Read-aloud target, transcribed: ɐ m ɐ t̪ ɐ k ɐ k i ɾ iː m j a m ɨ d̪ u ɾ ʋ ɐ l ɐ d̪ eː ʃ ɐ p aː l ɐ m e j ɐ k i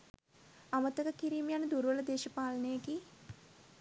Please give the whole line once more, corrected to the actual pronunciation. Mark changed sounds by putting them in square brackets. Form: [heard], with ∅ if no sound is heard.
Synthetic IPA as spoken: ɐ m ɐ t̪ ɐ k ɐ k i ɾ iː m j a [n] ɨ d̪ u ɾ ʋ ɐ l ɐ d̪ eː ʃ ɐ p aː l ɐ [n] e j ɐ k i